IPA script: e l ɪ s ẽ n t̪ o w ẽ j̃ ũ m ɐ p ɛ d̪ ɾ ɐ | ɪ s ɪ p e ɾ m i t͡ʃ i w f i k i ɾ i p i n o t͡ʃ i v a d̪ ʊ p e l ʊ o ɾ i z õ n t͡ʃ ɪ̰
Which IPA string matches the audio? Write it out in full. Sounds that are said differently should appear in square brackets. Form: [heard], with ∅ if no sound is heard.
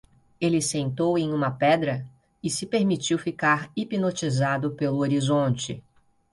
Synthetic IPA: e l ɪ s ẽ n t̪ o w ẽ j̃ ũ m ɐ p ɛ d̪ ɾ ɐ | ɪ s ɪ p e ɾ m i t͡ʃ i w f i k [a] ɾ i p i n o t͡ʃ i [z] a d̪ ʊ p e l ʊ o ɾ i z õ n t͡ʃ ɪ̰